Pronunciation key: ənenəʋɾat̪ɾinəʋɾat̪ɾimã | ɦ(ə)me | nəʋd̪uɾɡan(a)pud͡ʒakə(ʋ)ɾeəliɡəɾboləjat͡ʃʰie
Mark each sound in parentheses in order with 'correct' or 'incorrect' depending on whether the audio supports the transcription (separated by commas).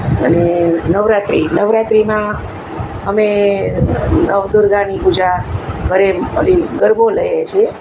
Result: correct, incorrect, incorrect